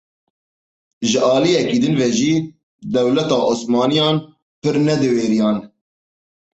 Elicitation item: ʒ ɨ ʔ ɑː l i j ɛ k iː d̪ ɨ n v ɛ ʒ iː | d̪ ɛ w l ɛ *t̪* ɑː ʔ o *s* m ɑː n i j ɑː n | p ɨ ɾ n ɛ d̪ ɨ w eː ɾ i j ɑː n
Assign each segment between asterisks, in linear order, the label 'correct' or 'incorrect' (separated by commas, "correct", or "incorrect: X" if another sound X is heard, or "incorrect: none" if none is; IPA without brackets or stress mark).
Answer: correct, correct